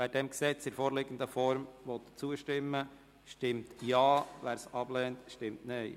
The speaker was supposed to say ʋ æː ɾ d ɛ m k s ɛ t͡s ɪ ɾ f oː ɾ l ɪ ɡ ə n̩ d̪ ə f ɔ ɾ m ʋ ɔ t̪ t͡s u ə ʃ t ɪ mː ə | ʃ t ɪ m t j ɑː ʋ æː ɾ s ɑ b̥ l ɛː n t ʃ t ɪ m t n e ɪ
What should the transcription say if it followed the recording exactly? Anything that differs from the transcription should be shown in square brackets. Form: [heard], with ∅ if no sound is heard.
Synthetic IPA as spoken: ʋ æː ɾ d ɛ m k s ɛ t͡s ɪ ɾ f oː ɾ l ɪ ɡ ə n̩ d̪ ə f ɔ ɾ m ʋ ɔ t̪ t͡s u ə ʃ t ɪ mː ə | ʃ t ɪ m t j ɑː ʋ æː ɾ s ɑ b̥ l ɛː n t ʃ t ɪ m t n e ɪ

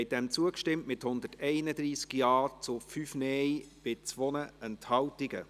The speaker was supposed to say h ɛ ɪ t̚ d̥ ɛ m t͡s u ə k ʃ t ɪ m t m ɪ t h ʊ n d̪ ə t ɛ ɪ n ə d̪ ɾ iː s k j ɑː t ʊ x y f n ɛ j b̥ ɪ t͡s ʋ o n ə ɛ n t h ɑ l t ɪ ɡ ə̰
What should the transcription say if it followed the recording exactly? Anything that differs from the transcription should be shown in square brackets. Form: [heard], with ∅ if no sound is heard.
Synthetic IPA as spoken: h ɛ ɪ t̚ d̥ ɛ m t͡s u ə k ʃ t ɪ m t m ɪ t h ʊ n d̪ ə t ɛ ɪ n ə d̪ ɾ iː s k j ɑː [t͡s] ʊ [f] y f n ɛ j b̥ ɪ t͡s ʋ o n ə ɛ n t h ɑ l t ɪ ɡ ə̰

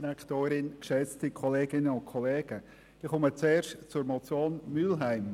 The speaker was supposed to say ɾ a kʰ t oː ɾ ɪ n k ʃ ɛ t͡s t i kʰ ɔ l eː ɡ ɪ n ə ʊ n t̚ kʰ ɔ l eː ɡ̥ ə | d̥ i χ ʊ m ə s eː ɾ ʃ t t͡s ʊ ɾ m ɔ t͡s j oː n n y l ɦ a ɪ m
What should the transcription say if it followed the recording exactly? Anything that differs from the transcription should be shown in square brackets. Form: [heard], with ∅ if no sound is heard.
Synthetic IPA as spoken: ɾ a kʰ t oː ɾ ɪ n k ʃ ɛ t͡s t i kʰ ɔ l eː ɡ ɪ n ə ʊ n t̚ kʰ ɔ l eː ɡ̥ ə | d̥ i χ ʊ m ə [t͡s] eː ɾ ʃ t t͡s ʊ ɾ m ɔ t͡s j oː n [m] y l ɦ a ɪ m

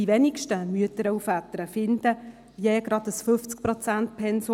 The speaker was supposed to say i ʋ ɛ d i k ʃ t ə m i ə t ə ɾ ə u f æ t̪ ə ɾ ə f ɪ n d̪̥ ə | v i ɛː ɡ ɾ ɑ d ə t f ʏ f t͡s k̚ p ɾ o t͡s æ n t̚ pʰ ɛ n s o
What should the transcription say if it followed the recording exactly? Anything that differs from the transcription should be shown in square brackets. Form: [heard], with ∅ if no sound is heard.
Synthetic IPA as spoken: i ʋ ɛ [n] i k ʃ t ə m [y] ə t ə ɾ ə u f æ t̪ ə ɾ ə f ɪ n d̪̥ ə | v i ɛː ɡ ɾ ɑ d ə [s] f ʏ f t͡s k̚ p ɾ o t͡s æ n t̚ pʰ ɛ n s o

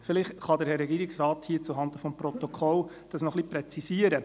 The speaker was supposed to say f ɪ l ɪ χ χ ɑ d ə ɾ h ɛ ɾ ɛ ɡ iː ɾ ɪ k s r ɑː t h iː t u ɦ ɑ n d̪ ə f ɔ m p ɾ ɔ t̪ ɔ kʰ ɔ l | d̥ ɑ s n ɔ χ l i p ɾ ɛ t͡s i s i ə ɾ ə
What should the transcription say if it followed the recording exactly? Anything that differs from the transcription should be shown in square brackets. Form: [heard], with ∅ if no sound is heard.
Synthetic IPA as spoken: f ɪ l ɪ χ χ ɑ d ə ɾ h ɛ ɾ ɛ ɡ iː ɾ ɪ k s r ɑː t h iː [t͡s] u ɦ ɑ n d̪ ə f ɔ m p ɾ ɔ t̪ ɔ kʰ ɔ l | d̥ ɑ s n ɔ χ l i p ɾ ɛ t͡s i s i ə ɾ ə

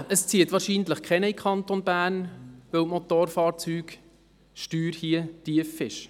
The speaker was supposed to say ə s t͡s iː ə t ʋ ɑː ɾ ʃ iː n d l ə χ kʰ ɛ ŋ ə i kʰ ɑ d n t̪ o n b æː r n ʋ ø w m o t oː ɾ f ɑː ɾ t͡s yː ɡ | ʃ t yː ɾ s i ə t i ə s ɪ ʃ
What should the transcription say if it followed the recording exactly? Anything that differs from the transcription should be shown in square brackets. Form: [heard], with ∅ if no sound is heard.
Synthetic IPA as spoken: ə s t͡s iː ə t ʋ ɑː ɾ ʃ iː n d l ə χ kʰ ɛ [n] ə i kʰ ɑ [∅] n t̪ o n b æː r n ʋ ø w m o t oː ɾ f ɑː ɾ t͡s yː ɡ | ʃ t yː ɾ [h] i ə t i ə [f] ɪ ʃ

